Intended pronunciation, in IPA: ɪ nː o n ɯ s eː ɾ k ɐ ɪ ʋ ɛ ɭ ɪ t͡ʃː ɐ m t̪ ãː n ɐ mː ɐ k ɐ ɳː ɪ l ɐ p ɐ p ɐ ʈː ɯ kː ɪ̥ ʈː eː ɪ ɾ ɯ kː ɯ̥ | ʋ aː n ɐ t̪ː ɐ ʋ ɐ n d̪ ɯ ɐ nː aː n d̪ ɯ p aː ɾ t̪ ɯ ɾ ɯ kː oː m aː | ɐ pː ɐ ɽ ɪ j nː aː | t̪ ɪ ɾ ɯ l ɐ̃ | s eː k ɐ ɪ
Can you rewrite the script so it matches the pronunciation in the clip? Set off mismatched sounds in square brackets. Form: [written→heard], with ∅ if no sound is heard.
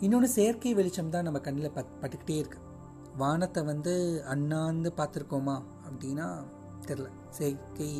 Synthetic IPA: ɪ nː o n ɯ s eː ɾ k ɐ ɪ ʋ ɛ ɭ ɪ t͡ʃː ɐ m t̪ ãː n ɐ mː ɐ k ɐ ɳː ɪ l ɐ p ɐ p ɐ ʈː ɯ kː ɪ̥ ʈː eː ɪ ɾ ɯ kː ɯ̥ | ʋ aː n ɐ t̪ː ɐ ʋ ɐ n d̪ ɯ ɐ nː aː n d̪ ɯ p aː ɾ t̪ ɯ ɾ ɯ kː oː m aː | ɐ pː ɐ ɽ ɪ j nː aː | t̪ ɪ ɾ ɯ l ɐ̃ | s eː k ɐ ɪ